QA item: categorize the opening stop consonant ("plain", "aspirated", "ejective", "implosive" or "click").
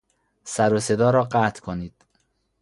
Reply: plain